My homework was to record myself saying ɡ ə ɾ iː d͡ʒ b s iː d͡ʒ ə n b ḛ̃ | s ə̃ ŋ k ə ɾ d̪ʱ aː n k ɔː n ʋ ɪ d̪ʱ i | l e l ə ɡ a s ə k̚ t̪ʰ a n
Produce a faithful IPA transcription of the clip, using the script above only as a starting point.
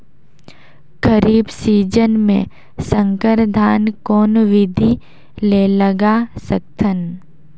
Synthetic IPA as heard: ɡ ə ɾ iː b s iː d͡ʒ ə n m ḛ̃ | s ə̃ ŋ k ə ɾ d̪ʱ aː n k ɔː n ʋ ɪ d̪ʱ i | l e l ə ɡ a s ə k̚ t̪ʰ ə n